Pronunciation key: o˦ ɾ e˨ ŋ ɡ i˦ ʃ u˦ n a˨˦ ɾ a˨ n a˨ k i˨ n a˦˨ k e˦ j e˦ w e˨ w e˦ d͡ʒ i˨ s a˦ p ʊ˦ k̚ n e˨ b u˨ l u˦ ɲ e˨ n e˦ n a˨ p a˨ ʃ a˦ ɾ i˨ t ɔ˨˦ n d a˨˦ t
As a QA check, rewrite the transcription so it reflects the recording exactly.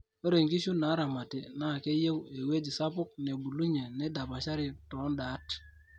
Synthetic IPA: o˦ ɾ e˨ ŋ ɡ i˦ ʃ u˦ n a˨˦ ɾ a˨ m a˨ t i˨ n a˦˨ k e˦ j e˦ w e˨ w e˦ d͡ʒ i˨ s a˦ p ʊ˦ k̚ n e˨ b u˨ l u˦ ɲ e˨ n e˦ d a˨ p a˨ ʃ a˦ ɾ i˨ t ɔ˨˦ n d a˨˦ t